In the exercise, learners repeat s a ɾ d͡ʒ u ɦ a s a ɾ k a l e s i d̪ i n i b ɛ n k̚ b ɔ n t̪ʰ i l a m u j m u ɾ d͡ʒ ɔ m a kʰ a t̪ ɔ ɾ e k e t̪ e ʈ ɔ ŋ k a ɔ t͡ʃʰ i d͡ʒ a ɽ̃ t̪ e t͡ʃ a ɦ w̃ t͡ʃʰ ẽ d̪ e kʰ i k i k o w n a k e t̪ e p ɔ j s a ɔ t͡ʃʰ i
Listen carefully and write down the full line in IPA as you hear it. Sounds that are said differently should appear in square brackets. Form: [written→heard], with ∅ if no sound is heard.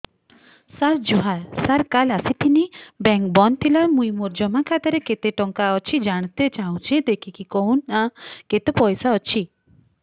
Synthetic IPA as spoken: s a ɾ d͡ʒ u ɦ a s a ɾ k a l [e→a] s i [d̪→t̪] i n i b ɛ [n→ŋ] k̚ b ɔ n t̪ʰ i l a m u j m u ɾ d͡ʒ ɔ m a kʰ a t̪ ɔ ɾ e k e t̪ e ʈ ɔ ŋ k a ɔ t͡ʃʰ i d͡ʒ a ɽ̃ t̪ e t͡ʃ a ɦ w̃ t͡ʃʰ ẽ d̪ e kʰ i k i k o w n a k e t̪ e p ɔ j s a ɔ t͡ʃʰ i

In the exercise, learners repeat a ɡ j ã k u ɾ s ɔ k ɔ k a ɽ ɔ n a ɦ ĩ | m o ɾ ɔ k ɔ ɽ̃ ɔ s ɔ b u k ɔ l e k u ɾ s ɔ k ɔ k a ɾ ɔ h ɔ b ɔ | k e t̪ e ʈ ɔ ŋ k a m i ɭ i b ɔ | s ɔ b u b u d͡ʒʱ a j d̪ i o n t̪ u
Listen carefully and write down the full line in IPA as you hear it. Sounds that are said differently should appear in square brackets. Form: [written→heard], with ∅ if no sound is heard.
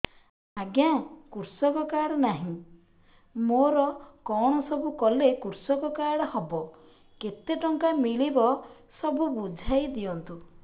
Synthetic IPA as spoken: a ɡ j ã k u ɾ s ɔ k ɔ k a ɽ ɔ n a ɦ ĩ | m o ɾ ɔ k ɔ ɽ̃ ɔ s ɔ b u k ɔ l e k u ɾ s ɔ k ɔ k a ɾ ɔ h ɔ b ɔ | k e t̪ e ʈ ɔ ŋ k a m i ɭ i b ɔ | s ɔ b u b u d͡ʒʱ a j d̪ i [o→ɔ] n t̪ u

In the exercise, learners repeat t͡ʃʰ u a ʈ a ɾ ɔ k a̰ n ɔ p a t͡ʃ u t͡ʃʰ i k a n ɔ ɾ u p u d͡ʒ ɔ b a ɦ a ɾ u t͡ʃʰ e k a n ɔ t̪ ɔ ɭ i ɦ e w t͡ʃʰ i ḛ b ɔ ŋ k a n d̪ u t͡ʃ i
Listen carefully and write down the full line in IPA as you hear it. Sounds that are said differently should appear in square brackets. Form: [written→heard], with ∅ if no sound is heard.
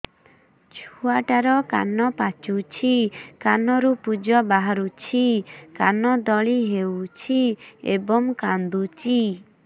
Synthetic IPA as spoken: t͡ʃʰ u a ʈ a ɾ ɔ k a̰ n ɔ p a t͡ʃ u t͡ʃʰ i k a n ɔ ɾ u p u d͡ʒ ɔ b a ɦ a ɾ u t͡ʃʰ [e→i] k a n ɔ [t̪→d̪] ɔ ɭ i ɦ e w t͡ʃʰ i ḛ b ɔ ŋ k a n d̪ u t͡ʃ i

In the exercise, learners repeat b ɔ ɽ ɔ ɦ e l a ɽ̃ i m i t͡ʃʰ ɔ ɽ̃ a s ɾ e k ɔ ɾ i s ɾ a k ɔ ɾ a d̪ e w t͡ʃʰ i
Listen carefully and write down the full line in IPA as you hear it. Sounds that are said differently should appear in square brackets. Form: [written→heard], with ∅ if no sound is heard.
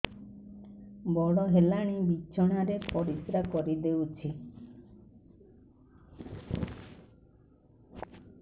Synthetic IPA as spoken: b ɔ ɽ ɔ ɦ e l a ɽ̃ i [m→b] i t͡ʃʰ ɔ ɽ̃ a [s→∅] ɾ e [k→p] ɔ ɾ i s ɾ a k ɔ ɾ [a→i] d̪ e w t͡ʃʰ i

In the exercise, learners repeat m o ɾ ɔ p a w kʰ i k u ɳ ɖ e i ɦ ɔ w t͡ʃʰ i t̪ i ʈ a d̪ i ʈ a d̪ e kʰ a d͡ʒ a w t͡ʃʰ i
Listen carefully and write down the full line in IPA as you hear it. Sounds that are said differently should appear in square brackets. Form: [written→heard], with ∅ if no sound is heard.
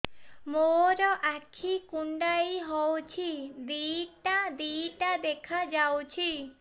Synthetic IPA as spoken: m o ɾ ɔ [p→ʔ] a [w→∅] kʰ i k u ɳ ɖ [e→a] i ɦ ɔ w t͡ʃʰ i [t̪→d̪] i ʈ a d̪ i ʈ a d̪ e kʰ a d͡ʒ a w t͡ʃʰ i

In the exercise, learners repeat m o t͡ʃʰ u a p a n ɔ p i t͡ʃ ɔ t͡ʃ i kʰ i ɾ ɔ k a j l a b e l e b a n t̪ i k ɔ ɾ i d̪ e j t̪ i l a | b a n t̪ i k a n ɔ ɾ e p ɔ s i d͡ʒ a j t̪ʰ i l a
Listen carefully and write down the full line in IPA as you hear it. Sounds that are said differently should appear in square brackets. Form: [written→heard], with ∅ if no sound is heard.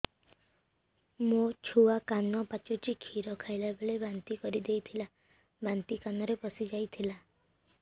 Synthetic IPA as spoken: m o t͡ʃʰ u a [p→k] a n ɔ p [i→a] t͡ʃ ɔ t͡ʃ i kʰ i ɾ ɔ [k→kʰ] a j l a b e [l→ɭ] e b a n t̪ i k ɔ ɾ i d̪ e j [t̪→t̪ʰ] i l a | b a n t̪ i k a n ɔ ɾ e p ɔ s i d͡ʒ a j t̪ʰ i l a

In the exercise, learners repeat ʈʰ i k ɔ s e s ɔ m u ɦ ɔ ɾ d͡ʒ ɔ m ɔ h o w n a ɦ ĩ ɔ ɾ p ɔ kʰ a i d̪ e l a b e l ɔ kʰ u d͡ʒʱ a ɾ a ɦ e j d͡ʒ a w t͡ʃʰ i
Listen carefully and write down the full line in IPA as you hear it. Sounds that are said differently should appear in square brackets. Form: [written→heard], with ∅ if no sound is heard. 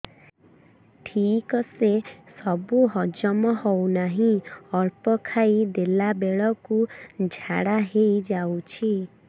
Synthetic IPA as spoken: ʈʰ i k ɔ s e s ɔ [m→b] u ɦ ɔ [ɾ→∅] d͡ʒ ɔ m ɔ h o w n a ɦ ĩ ɔ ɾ p ɔ kʰ a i d̪ e l a b e [l→ɭ] ɔ [kʰ→k] u d͡ʒʱ a [ɾ→ɽ] a ɦ e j d͡ʒ a w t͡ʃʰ i

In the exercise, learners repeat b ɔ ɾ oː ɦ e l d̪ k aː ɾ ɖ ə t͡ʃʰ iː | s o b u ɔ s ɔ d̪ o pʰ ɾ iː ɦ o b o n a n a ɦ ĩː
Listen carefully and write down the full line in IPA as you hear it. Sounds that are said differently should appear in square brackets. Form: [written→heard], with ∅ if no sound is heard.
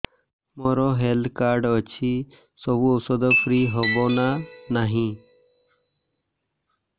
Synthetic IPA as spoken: [b→m] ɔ ɾ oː ɦ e l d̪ k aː ɾ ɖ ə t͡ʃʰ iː | s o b u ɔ s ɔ d̪ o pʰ ɾ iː ɦ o b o n a n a ɦ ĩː

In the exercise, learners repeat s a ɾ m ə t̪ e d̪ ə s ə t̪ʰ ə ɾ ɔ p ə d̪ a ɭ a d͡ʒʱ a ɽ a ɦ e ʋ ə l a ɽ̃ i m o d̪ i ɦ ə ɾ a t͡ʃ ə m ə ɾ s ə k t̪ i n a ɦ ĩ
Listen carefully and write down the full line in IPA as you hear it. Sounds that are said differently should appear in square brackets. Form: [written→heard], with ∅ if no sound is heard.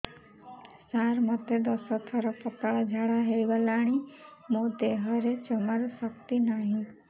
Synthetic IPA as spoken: s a ɾ m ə t̪ e d̪ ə s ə t̪ʰ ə ɾ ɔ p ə [d̪→t̪] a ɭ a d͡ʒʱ a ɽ a ɦ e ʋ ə l a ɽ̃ i m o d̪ [i→e] ɦ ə ɾ [a→e] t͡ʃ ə m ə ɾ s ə k t̪ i n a ɦ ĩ

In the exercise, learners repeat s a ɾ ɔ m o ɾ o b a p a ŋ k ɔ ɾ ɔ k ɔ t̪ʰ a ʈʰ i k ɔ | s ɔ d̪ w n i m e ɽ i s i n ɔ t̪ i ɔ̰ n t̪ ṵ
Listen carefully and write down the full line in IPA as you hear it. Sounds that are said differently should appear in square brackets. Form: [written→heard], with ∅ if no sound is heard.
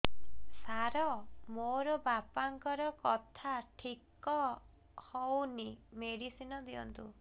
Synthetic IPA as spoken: s a ɾ ɔ m o ɾ [o→ɔ] b a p a ŋ k ɔ ɾ ɔ k ɔ t̪ʰ a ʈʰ i k ɔ | [s→h] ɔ [d̪→∅] w n i m e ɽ i s i n ɔ [t̪→d̪] i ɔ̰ n t̪ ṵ

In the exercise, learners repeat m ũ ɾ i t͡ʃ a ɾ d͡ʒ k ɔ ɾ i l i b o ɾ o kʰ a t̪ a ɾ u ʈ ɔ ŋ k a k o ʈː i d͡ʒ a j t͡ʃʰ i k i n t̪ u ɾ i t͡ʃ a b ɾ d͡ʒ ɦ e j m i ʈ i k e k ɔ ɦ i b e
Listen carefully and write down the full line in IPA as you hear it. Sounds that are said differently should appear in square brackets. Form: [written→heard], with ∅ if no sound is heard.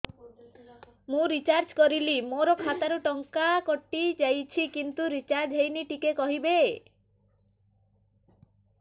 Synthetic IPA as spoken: m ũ ɾ i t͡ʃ a ɾ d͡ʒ k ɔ ɾ i l i [b→m] o ɾ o kʰ a t̪ a ɾ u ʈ ɔ ŋ k a k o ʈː i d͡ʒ a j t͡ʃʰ i k i n t̪ u ɾ i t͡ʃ a [b→∅] ɾ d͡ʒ ɦ e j [m→n] i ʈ i k e k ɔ ɦ i b e

